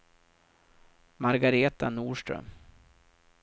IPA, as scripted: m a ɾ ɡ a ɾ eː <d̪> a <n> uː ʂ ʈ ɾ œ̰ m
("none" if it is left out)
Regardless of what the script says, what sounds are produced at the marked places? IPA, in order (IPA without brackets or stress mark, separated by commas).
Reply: t̪, n